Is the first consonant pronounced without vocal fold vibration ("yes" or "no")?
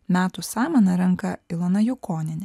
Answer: no